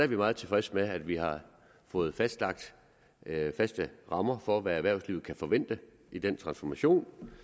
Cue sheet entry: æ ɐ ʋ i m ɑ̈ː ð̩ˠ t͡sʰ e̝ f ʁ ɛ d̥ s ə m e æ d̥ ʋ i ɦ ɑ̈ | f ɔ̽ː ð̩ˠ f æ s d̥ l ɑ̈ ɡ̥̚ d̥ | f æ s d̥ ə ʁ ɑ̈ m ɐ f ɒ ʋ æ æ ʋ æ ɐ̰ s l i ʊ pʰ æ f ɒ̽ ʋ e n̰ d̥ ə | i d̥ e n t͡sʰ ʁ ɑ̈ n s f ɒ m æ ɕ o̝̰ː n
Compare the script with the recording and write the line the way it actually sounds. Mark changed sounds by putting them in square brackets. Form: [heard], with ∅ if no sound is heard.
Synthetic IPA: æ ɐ ʋ i m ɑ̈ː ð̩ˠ t͡sʰ e̝ f ʁ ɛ [∅] s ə m e æ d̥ ʋ i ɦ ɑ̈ | f ɔ̽ː ð̩ˠ f æ s d̥ l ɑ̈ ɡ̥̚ d̥ | f æ s d̥ ə ʁ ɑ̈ m ɐ f ɒ ʋ æ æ ʋ æ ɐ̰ s l i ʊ [kʰ] æ f ɒ̽ ʋ e n̰ d̥ ə | i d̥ e n t͡sʰ ʁ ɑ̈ n s f ɒ m æ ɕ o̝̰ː n